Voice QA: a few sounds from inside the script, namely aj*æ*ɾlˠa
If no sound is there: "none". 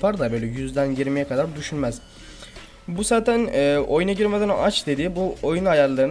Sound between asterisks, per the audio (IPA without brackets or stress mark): a